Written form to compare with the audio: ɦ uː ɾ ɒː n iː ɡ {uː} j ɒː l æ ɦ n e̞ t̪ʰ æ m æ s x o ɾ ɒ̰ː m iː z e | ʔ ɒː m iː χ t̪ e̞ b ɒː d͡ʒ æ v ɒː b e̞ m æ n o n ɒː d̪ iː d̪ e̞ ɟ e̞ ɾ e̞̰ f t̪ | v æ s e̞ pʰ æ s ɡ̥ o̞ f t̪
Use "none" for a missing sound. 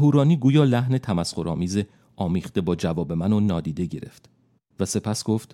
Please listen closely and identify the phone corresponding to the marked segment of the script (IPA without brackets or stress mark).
uː